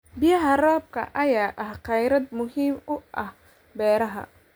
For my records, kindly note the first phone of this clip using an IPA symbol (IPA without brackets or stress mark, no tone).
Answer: b